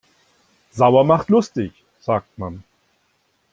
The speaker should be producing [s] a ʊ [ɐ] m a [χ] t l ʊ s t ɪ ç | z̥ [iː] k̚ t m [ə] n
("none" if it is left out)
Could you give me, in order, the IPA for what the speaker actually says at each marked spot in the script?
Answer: z, ɐ, χ, aː, a

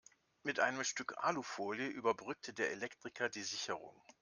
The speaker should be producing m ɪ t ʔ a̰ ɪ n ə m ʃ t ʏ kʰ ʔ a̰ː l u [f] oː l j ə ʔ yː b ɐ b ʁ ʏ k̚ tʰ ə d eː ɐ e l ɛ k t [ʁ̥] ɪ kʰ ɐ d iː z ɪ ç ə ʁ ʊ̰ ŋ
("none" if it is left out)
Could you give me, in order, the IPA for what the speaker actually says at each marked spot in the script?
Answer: f, ʁ̥

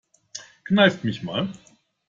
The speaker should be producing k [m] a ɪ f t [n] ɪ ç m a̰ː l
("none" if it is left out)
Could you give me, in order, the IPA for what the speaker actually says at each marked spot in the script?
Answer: n, m

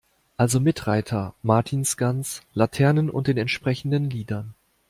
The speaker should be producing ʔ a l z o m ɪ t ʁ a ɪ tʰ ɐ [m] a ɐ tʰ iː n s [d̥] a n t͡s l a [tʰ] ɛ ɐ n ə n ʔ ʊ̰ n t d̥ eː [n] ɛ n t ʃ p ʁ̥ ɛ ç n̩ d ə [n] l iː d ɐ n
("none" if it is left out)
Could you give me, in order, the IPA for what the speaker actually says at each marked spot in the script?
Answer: m, ɡ̥, tʰ, n, n

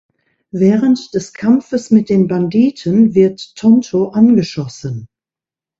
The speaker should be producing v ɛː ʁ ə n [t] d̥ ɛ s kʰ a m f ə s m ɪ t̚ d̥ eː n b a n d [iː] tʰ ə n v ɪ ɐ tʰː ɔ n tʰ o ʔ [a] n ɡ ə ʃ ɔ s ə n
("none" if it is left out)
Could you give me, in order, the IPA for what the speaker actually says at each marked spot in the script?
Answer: t, iː, a

